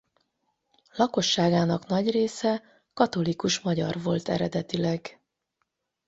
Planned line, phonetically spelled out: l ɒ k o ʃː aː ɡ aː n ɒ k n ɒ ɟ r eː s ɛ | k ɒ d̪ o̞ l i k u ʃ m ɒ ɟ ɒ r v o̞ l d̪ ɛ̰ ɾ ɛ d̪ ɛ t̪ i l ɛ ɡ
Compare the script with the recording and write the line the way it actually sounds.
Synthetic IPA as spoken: l ɒ k o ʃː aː ɡ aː n ɒ k n ɒ ɟ r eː s ɛ | k ɒ t̪ o̞ l i k u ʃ m ɒ ɟ ɒ r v o̞ l t̪ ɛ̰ ɾ ɛ d̪ ɛ t̪ i l ɛ ɡ

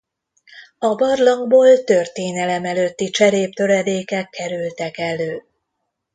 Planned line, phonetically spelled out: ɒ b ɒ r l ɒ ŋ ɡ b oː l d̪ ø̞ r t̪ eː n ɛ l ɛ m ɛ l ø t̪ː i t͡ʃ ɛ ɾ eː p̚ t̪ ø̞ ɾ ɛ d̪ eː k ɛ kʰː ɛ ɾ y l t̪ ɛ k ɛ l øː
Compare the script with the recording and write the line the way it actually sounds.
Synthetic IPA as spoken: ɒ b ɒ r l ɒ ŋ ɡ b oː l t̪ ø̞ r t̪ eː n ɛ l ɛ m ɛ l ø t̪ː i t͡ʃ ɛ ɾ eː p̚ t̪ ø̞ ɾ ɛ d̪ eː k ɛ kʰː ɛ ɾ y l t̪ ɛ k ɛ l øː

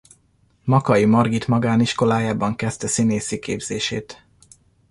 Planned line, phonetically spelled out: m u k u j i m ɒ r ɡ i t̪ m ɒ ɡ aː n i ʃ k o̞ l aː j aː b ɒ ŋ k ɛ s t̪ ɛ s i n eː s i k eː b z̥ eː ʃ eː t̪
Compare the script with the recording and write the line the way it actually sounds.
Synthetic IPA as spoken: m ɒ k ɒ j i m ɒ r ɡ i t̪ m ɒ ɡ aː n i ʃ k o̞ l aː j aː b ɒ ŋ k ɛ s t̪ ɛ s i n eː s i k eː b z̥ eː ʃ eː t̪

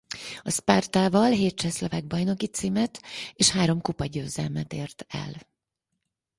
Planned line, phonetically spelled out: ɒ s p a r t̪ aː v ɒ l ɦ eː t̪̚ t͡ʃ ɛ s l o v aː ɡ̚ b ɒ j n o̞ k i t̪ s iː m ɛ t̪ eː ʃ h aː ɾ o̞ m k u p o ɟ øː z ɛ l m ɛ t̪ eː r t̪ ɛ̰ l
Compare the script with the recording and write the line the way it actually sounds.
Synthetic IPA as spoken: ɒ s p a r t̪ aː v ɒ l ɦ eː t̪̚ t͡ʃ ɛ s l o v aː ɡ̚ b ɒ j n o̞ k i t̪ s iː m ɛ t̪ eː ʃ h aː ɾ o̞ m k u p ɒ ɟ øː z ɛ l m ɛ t̪ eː r t̪ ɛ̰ l

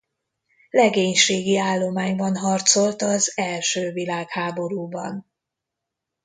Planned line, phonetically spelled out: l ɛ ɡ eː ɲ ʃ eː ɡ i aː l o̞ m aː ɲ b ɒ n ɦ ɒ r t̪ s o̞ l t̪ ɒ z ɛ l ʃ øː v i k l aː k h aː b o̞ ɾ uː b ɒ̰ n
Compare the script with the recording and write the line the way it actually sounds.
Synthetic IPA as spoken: l ɛ ɡ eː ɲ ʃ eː ɡ i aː lː o̞ m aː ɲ b ɒ n ɦ ɒ r t̪ s o̞ l t̪ ɒ z ɛ l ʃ øː v i l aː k h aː b o̞ ɾ uː b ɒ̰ n

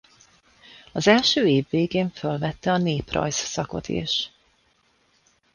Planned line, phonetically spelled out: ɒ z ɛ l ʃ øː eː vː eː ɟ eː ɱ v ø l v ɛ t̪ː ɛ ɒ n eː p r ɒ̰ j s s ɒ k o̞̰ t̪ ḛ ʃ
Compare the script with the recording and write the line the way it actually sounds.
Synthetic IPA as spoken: ɒ z ɛ l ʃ øː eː vː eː ɡ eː ɱ f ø l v ɛ t̪ː ɛ ɒ n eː p r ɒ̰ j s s ɒ k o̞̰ t̪ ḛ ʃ

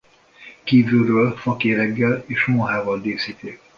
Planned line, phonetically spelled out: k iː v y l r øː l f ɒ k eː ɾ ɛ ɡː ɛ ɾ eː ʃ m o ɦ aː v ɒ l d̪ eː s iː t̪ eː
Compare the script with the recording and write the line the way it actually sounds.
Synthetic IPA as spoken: k iː v y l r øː l f ɒ k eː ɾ ɛ ɡː ɛ l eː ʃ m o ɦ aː v ɒ l d̪ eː s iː t̪ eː

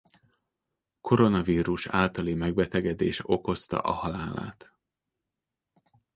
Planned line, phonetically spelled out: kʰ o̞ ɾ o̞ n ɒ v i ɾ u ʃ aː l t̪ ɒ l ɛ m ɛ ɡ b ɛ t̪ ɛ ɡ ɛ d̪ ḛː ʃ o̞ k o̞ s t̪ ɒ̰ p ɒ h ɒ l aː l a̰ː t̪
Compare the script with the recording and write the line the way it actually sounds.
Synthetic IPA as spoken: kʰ o̞ ɾ o̞ n ɒ v iː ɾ u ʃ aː l t̪ ɒ l i m ɛ ɡ b ɛ t̪ ɛ ɡ ɛ d̪ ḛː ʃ o̞ k o̞ s t̪ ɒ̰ ʔ ɒ h ɒ l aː l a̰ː t̪

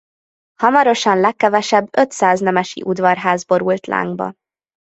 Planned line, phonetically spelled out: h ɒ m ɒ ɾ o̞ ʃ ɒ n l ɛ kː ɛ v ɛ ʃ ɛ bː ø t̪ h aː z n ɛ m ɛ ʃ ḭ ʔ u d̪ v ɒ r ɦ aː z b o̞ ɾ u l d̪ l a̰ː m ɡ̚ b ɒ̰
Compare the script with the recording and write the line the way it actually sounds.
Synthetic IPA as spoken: h ɒ m ɒ ɾ o̞ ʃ ɒ n l ɛ kː ɛ v ɛ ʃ ɛ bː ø t̪ s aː z n ɛ m ɛ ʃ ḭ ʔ u d̪ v ɒ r ɦ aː z b o̞ ɾ u l t̪ l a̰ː ŋ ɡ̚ b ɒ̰

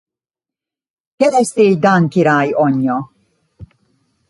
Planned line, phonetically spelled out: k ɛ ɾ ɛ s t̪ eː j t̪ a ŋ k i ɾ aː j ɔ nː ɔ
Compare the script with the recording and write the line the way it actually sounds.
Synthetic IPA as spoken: k ɛ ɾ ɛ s t̪ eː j d̪ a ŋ k i ɾ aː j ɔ ɲː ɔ

